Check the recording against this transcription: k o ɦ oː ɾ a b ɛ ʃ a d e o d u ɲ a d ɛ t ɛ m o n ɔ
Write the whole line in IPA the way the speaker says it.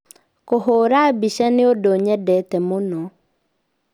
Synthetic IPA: k o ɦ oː ɾ a b i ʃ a n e o d o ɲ ɛ d ɛ t ɛ m o n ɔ

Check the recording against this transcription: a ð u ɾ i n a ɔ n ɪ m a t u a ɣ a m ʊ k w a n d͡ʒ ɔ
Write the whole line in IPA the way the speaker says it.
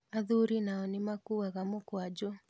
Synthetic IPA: a ð u ɾ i n a ɔ n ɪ m a k u a ɣ a m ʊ k w a d͡ʒ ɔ

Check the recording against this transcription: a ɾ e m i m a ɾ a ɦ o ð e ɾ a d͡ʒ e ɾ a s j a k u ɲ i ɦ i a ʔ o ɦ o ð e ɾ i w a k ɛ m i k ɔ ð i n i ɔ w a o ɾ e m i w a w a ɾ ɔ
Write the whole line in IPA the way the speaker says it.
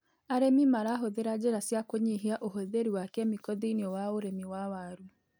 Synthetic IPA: a ɾ e m i m a ɾ a ɦ o ð e ɾ a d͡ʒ e ɾ a s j a k o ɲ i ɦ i a ʔ o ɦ o ð e ɾ i w a k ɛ m i k ɔ ð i n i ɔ w a o ɾ e m i w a w a ɾ u

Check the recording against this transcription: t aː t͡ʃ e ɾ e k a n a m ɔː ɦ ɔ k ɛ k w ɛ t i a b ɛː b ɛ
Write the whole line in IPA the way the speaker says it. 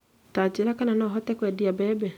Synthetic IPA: t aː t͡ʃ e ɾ a k a n a n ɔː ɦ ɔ t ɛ k w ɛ d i a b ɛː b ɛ

